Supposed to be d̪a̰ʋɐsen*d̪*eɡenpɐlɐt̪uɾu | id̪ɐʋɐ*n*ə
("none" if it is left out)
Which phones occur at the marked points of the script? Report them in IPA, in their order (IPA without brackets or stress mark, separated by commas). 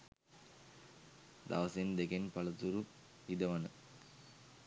d̪, n